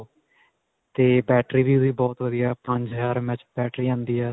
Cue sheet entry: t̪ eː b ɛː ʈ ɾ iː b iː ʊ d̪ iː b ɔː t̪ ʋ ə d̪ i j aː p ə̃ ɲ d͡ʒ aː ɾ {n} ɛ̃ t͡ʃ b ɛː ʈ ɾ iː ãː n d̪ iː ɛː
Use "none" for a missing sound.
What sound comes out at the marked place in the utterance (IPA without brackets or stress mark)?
m